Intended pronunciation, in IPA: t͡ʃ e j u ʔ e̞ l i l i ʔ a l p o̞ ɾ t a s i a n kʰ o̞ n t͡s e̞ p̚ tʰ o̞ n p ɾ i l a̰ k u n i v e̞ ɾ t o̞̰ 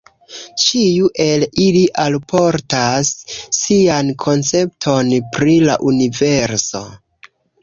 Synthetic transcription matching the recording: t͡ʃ i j u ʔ e̞ l i l i ʔ a l p o̞ ɾ t a sː i a n kʰ o̞ n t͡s e̞ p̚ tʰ o̞ n p ɾ i l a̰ ʔ u n i v e̞ ɾ s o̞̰